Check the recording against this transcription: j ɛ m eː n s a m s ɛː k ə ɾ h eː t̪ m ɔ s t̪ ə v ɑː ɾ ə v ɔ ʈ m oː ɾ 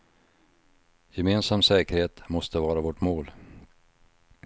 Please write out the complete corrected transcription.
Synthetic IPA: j ɛ m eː n s a m s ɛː k ə ɾ h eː t̪ m ɔ s t̪ ə v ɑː ɾ a v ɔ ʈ m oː l